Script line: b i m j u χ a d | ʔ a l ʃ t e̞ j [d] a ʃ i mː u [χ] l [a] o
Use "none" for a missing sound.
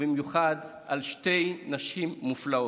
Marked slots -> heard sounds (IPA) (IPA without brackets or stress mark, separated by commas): n, f, a